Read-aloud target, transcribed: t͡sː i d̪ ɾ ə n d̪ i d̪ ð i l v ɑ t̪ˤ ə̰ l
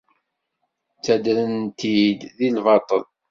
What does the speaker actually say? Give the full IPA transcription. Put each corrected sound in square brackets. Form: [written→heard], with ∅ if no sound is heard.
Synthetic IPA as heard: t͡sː [i→æ] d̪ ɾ ə n [d̪→t̪] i d̪ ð i l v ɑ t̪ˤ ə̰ l